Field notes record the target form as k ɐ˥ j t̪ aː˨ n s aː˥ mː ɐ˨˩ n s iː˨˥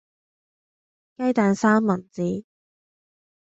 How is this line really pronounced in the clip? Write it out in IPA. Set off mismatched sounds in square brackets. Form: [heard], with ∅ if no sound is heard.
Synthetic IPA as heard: k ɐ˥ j t̪ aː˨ n s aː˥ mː ɐ˨˩ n [t͡s] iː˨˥